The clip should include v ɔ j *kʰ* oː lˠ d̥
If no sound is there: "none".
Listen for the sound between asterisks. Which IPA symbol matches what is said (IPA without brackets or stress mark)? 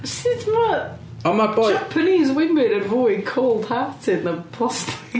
kʰ